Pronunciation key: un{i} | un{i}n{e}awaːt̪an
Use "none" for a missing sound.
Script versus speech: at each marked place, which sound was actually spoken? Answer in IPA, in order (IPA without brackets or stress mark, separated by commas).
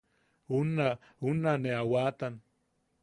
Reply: a, a, e